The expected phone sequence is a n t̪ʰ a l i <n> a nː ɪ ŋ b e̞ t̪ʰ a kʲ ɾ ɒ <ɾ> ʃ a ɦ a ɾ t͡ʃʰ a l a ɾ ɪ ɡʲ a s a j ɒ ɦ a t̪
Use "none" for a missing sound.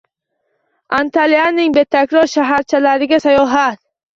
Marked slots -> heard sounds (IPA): none, ɾ

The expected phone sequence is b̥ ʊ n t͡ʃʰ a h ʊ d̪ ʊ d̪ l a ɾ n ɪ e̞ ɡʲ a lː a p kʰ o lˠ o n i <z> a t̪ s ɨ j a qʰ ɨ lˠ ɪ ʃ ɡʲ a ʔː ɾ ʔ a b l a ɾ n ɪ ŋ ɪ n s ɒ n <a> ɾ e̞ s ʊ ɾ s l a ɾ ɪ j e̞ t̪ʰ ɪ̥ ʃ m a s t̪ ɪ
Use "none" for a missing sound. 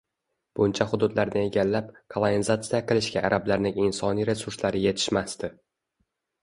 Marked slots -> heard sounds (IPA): z, i

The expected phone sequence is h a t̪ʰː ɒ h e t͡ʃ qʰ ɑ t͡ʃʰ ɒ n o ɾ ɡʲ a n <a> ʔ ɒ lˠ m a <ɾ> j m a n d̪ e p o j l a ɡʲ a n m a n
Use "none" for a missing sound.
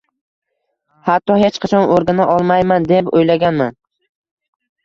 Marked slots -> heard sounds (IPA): a, none

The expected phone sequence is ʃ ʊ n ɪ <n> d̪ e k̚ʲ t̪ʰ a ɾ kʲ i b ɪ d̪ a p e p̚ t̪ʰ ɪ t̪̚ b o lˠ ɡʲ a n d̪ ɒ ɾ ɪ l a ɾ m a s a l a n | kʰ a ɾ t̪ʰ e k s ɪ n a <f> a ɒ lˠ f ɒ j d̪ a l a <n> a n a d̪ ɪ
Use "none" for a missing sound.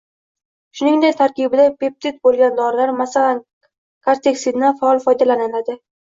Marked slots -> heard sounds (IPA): ŋ, f, n

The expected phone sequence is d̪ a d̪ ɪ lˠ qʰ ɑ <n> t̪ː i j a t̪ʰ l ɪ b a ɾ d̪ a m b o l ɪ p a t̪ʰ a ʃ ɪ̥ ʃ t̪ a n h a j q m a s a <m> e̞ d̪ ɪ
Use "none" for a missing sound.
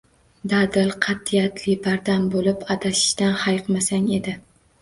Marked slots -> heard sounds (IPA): none, ŋ

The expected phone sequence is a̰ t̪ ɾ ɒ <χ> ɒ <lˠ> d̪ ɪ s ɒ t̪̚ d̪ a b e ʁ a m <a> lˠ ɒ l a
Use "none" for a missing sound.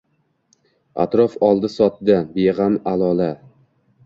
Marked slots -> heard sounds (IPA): f, lˠ, a

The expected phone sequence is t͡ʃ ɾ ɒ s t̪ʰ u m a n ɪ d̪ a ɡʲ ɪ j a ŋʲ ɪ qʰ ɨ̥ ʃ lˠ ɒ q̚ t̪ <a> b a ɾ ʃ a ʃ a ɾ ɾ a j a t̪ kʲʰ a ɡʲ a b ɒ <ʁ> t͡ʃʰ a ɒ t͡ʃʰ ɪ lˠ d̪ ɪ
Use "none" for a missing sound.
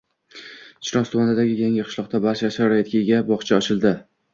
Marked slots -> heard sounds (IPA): a, χ

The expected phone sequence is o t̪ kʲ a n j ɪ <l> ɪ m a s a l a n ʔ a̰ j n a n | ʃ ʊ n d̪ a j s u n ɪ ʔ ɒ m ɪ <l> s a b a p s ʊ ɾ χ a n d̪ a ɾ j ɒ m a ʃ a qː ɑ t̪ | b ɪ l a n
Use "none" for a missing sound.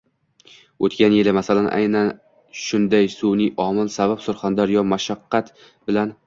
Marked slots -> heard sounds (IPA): l, l

